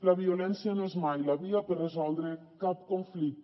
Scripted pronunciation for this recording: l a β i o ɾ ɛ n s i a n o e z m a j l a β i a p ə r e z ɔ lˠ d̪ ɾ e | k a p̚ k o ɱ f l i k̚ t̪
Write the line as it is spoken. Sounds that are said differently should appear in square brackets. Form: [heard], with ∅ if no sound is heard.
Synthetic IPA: l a β i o [l] ɛ n s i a n o e z m a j l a β i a p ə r e z ɔ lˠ d̪ ɾ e | k a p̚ k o ɱ f l i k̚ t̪